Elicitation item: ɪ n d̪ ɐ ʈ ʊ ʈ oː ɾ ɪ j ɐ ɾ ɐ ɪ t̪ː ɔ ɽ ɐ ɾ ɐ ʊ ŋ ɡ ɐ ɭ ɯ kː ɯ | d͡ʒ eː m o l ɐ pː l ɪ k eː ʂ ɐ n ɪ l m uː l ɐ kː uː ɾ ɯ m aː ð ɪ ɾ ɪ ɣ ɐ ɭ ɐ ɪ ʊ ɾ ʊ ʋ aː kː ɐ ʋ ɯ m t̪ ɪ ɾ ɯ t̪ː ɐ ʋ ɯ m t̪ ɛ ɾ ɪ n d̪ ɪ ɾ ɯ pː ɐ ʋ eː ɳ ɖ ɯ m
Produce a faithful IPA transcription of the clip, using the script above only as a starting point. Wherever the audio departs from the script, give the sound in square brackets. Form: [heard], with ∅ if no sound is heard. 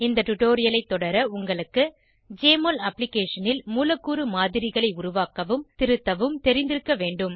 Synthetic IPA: ɪ n d̪ ɐ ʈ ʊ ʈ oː ɾ ɪ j ɐ [l] ɐ ɪ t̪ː ɔ ɽ ɐ ɾ ɐ ʊ ŋ ɡ ɐ ɭ ɯ kː ɯ | d͡ʒ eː m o l ɐ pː l ɪ k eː ʂ ɐ n ɪ l m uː l ɐ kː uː ɾ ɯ m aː ð ɪ ɾ ɪ ɣ ɐ ɭ ɐ ɪ ʊ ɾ ʊ ʋ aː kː ɐ ʋ ɯ m t̪ ɪ ɾ ɯ t̪ː ɐ ʋ ɯ m t̪ ɛ ɾ ɪ n d̪ ɪ ɾ ɯ [kː] ɐ ʋ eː ɳ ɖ ɯ m